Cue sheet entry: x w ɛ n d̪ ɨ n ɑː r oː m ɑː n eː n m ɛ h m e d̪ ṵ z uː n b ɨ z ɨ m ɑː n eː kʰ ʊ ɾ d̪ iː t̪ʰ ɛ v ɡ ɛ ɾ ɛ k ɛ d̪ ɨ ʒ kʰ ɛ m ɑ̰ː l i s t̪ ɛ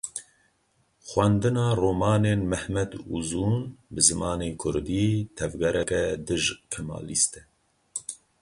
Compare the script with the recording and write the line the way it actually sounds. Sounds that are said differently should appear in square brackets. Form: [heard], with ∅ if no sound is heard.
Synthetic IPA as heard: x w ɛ n d̪ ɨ n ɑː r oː m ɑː n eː n m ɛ h m [ɛ] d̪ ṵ z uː n b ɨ z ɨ m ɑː n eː kʰ ʊ ɾ d̪ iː t̪ʰ ɛ v ɡ ɛ ɾ ɛ k ɛ d̪ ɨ ʒ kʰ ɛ m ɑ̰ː l i s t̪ ɛ